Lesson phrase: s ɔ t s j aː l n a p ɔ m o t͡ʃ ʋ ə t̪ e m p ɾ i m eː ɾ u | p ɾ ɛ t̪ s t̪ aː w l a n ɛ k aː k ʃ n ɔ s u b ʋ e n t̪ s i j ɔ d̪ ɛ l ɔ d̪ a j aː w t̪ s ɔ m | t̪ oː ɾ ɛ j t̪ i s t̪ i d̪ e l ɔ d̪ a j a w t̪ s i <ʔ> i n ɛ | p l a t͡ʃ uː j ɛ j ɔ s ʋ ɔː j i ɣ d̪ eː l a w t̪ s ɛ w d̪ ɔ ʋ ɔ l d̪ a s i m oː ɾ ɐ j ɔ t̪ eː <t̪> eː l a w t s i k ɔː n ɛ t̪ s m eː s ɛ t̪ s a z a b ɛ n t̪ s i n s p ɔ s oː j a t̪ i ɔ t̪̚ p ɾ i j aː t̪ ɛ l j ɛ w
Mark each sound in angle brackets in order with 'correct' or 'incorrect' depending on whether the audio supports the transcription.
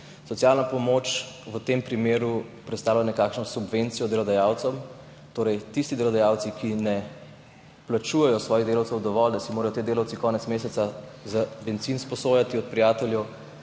incorrect: k, incorrect: d̪

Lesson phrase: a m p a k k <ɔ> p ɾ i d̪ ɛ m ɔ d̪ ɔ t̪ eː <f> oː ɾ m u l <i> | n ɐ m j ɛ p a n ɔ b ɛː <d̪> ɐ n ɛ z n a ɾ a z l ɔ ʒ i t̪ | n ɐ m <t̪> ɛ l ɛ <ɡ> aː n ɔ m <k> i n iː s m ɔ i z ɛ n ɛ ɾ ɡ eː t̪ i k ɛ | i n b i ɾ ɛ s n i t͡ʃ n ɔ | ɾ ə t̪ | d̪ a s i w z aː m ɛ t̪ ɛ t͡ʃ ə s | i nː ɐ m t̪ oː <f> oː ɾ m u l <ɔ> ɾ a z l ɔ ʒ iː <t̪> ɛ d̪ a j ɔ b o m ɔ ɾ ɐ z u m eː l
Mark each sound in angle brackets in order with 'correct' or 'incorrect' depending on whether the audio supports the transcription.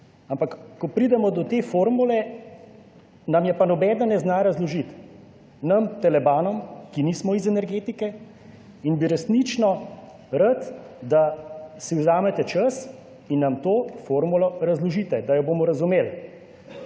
correct, correct, incorrect: ɛ, correct, correct, incorrect: b, correct, correct, correct, correct

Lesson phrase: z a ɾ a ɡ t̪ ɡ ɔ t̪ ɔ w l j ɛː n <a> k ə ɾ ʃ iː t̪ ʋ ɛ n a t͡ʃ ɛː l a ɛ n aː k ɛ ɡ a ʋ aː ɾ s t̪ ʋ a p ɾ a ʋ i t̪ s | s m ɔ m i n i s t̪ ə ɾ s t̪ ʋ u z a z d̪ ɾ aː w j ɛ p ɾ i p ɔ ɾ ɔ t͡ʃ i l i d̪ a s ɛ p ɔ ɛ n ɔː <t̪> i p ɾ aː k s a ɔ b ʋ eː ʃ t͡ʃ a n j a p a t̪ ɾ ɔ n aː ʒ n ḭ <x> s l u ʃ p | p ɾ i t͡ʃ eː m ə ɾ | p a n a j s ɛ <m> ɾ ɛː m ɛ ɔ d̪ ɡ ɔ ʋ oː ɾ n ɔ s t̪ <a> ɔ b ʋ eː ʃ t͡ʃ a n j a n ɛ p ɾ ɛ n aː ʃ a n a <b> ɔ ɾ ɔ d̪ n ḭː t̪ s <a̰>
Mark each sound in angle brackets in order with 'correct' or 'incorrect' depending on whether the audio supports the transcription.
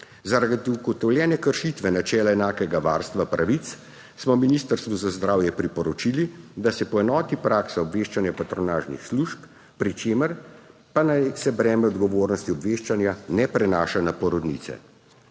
incorrect: ɛ, correct, correct, incorrect: b, incorrect: i, incorrect: p, incorrect: ɛ̰

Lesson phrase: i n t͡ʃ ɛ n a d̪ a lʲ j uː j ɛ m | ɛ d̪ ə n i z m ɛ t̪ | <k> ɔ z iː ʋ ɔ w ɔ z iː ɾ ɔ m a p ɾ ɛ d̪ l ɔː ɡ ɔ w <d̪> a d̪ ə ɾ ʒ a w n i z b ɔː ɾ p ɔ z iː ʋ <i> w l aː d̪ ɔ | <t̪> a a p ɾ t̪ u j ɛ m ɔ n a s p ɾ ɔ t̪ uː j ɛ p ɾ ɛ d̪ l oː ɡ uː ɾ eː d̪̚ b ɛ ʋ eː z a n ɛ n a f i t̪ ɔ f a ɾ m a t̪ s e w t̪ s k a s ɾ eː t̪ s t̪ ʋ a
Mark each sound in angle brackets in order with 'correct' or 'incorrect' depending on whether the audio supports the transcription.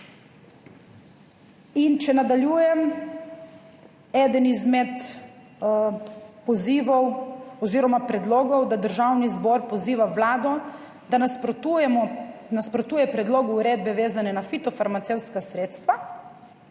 incorrect: p, correct, incorrect: a, incorrect: d̪

